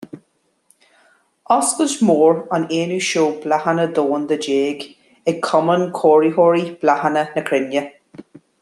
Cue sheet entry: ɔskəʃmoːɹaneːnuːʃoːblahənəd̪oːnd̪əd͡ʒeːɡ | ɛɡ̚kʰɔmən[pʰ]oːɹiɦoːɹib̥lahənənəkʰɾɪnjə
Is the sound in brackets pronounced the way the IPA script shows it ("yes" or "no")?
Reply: no